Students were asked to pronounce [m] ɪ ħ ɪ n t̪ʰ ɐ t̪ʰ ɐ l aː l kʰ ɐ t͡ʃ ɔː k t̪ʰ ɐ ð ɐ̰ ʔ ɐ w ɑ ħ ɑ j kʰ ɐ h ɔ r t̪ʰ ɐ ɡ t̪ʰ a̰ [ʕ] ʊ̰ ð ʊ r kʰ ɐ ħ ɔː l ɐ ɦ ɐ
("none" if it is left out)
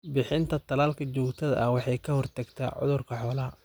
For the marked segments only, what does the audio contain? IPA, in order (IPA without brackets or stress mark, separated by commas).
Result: b, ʕ